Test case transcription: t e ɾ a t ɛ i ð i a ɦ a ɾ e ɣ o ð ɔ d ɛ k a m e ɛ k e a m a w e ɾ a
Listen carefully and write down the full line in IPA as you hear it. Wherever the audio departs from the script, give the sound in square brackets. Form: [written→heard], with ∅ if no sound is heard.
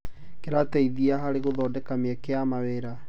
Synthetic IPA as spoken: [t→k] e ɾ a t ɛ i ð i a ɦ a ɾ e ɣ o ð ɔ d ɛ k a m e ɛ k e a m a w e ɾ a